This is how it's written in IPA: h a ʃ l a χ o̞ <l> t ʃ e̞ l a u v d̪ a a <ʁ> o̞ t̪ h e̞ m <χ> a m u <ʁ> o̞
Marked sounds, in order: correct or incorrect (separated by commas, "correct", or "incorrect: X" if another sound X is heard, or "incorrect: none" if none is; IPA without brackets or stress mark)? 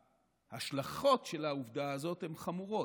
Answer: incorrect: none, incorrect: z, correct, correct